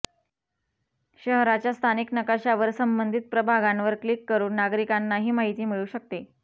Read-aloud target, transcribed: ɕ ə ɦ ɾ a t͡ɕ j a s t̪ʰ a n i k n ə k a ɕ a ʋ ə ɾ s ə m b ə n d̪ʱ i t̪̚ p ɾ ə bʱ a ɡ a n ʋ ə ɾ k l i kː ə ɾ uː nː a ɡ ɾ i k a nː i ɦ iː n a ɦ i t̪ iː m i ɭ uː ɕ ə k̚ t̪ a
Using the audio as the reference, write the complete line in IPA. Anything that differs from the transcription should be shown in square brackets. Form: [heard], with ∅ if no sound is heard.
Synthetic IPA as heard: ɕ ə ɦ ɾ a t͡ɕ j a s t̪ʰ a n i k n ə k a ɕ a ʋ ə ɾ s ə m b ə n d̪ʱ i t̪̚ p ɾ ə bʱ a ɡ a n ʋ ə ɾ k l i kː ə ɾ uː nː a ɡ ɾ i k a nː [a] ɦ iː [m] a ɦ i t̪ iː m i ɭ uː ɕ ə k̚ t̪ [e]